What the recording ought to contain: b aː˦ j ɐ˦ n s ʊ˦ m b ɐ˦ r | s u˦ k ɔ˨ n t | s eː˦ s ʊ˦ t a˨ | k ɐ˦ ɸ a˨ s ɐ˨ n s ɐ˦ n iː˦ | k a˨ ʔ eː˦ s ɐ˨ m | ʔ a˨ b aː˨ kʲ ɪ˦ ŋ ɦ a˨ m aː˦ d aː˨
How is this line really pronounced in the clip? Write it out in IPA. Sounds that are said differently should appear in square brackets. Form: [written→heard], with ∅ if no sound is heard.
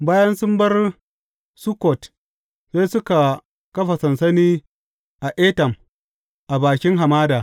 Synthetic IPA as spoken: b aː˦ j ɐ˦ n s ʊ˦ m b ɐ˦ r | s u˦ k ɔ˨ [n→∅] t | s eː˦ s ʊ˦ [t→k] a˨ | k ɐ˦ ɸ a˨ s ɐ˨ n s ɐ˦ n iː˦ | [k→ʔ] a˨ ʔ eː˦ [s→t] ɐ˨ m | ʔ a˨ b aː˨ kʲ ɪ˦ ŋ ɦ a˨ m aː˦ d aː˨